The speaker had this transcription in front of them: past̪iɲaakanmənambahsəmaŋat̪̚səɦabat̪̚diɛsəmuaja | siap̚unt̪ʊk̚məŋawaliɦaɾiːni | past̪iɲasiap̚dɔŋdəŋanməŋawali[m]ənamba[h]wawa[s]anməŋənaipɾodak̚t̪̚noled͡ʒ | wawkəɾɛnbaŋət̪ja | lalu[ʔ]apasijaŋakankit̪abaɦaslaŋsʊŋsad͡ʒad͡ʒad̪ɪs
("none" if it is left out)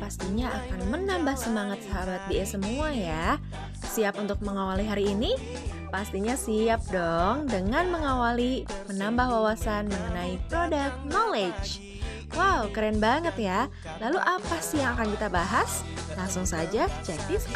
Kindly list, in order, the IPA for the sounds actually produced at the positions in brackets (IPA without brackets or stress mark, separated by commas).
m, h, s, ʔ